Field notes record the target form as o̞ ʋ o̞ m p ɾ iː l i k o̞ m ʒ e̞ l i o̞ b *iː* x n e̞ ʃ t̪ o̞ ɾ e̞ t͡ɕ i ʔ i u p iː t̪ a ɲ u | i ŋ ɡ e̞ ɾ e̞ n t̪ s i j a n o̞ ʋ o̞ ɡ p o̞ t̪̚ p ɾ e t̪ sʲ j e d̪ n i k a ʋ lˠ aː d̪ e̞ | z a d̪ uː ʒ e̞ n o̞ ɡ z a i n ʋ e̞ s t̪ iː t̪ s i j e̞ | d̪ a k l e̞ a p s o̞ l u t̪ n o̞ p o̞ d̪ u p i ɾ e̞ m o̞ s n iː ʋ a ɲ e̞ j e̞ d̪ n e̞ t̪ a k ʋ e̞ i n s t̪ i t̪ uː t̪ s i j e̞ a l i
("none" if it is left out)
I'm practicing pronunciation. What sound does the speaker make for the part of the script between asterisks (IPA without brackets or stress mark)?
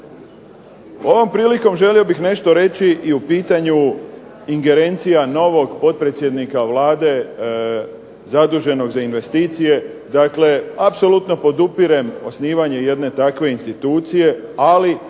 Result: i